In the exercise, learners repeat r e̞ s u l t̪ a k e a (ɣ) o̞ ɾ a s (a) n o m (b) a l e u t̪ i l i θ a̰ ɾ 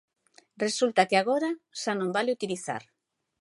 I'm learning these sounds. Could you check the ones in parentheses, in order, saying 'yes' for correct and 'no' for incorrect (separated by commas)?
yes, yes, yes